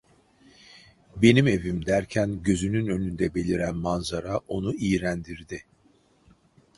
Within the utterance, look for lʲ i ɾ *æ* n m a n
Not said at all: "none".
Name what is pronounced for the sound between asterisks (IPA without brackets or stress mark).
æ